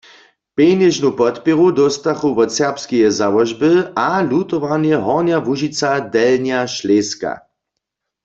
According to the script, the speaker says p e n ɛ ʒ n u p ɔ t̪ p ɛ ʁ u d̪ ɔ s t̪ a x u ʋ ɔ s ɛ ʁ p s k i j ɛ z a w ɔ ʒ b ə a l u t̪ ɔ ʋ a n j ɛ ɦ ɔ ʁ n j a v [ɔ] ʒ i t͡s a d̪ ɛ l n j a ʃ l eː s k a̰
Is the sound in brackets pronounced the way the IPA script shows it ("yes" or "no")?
no